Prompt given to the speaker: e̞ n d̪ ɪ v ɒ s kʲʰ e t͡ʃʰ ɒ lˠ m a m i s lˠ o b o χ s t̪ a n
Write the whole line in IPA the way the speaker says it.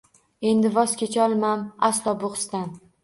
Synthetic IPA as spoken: e̞ n d̪ ɪ v ɒ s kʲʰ e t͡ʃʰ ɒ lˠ m a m a s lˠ ɒ b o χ s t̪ a n

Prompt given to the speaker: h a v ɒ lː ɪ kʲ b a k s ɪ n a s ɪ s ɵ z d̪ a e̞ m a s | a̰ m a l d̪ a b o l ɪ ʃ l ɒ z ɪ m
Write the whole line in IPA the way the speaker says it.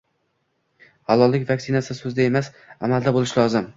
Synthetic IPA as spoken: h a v ɒ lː ɪ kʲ v a k s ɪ n a s ɪ s ɵ z d̪ a e̞ m a s | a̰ m a l d̪ a b o l ɪ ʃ l ɒ z ɪ m

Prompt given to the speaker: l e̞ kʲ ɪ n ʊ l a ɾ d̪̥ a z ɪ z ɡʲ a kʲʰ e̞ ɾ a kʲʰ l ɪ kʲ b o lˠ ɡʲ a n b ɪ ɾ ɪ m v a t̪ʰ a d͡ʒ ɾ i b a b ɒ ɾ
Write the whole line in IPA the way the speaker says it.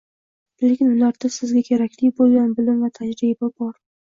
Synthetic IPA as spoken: l e̞ kʲ ɪ n ʊ l a ɾ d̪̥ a s ɪ z ɡʲ a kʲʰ e̞ ɾ a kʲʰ l ɪ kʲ b o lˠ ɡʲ a n b ɪ l ɪ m v a t̪ʰ a d͡ʒ ɾ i b a b ɒ ɾ

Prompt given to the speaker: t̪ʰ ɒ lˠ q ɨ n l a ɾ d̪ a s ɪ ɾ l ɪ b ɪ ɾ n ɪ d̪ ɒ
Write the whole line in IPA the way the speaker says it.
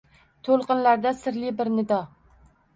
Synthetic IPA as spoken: t̪ʰ o lˠ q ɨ n l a ɾ d̪ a s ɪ ɾ l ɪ b ɪ ɾ n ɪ d̪ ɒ

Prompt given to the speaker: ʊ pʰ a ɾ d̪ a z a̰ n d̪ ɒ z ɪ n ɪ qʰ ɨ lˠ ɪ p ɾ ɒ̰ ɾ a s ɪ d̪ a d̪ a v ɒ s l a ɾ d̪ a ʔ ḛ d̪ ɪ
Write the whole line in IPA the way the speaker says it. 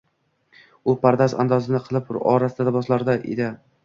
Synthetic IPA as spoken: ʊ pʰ a ɾ d̪ a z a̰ n d̪ ɒ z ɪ n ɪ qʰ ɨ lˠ ɪ p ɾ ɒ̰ ɾ a s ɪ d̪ a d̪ a b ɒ s l a ɾ d̪ a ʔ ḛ d̪ ɪ

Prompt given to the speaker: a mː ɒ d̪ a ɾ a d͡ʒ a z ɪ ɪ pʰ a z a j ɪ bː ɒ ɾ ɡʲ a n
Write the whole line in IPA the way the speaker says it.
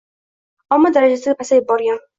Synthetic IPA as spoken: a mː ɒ d̪ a ɾ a d͡ʒ a s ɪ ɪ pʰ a s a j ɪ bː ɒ ɾ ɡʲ a n

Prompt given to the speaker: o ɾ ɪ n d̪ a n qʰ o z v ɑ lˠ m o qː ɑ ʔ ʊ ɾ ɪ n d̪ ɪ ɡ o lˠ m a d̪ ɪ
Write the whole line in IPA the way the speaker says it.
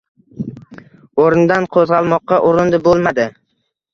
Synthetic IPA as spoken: o ɾ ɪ n d̪ a n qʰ o z ʁ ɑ lˠ m ɒ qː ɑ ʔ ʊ ɾ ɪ n d̪ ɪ b o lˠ m a d̪ ɪ

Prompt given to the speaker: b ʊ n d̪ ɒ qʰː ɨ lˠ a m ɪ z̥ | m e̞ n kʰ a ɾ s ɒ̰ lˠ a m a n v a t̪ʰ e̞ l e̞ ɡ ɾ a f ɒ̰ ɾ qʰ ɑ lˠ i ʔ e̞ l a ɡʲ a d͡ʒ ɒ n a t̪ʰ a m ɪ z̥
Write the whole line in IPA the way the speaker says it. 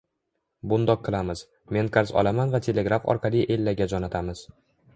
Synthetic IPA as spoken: b ʊ n d̪ ɒ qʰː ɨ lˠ a m ɪ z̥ | m e̞ n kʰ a ɾ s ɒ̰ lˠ a m a n v a t̪ʰ e̞ l e̞ ɡ ɾ a f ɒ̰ ɾ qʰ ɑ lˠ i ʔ e̞ lː a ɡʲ a d͡ʒ ɒ n a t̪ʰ a m ɪ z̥

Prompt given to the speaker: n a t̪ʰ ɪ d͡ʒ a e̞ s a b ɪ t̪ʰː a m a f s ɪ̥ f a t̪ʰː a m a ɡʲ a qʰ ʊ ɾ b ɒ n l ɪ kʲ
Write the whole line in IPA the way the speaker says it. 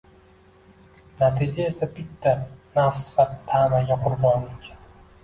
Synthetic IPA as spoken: n a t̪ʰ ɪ d͡ʒ a e̞ s a b ɪ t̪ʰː a n a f s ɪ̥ f a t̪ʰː a m a ɡʲ a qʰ ʊ ɾ b ɒ n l ɪ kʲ

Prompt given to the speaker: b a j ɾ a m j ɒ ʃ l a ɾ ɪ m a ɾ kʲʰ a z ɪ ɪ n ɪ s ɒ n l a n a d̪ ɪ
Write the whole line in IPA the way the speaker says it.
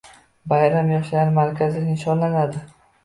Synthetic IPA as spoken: b a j ɾ a m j ɒ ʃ l a ɾ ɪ m a ɾ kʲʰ a z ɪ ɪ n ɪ ʃ ɒ n l a n a d̪ ɪ

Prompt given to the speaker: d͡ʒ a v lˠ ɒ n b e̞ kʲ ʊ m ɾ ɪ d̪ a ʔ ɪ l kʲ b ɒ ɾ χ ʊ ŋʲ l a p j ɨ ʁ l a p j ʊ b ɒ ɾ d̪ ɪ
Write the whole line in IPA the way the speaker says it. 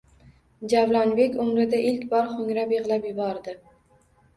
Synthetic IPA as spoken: d͡ʒ a v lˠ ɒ n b e̞ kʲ ʊ m ɾ ɪ d̪ a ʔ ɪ l kʲ b ɒ ɾ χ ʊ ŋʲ ɾ a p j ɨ ʁ l a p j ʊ b ɒ ɾ d̪ ɪ

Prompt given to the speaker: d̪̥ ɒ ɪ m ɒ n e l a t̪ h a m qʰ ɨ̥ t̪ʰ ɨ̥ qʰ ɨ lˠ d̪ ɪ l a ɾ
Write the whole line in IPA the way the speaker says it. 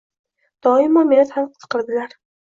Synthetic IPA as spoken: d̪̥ ɒ ɪ m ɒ m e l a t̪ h a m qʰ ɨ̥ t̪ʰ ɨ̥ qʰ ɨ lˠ d̪ ɪ l a ɾ

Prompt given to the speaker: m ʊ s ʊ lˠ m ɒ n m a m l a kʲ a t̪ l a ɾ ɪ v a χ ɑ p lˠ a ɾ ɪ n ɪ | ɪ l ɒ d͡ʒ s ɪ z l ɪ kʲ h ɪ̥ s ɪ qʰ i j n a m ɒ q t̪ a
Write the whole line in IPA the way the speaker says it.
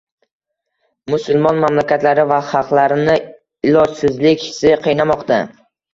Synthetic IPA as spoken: m ʊ s ʊ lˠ m ɒ n m a m l a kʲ a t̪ l a ɾ ɪ v a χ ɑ q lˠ a ɾ ɪ n ɪ | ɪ l ɒ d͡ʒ s ɪ z l ɪ kʲ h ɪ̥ s ɪ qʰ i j n a m ɒ q t̪ a

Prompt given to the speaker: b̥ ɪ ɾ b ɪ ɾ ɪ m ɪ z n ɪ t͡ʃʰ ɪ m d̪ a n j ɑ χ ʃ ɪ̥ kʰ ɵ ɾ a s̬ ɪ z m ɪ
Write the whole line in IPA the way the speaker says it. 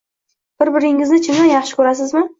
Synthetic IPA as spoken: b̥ ɪ ɾ b ɪ ɾ ɪ ŋ ɪ z n ɪ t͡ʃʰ ɪ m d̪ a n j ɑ χ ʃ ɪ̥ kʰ ɵ ɾ a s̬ ɪ z m ɪ

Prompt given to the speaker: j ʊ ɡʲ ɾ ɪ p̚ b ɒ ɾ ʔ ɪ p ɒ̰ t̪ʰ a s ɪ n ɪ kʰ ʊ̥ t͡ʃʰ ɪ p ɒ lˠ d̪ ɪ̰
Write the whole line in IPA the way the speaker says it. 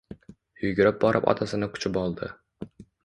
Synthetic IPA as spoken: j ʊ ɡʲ ɾ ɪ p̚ b ɒ ɾ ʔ ɪ p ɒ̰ t̪ʰ a s ɪ n ɪ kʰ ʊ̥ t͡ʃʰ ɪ p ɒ lˠ d̪ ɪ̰

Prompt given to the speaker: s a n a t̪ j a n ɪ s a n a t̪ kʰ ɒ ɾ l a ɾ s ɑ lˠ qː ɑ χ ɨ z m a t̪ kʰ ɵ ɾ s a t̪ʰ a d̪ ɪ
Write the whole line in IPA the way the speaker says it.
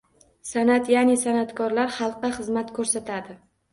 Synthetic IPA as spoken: s a n a t̪ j a n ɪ s a n a t̪ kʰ ɒ ɾ l a ɾ χ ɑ lˠ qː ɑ χ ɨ z m a t̪ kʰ ɵ ɾ s a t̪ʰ a d̪ ɪ

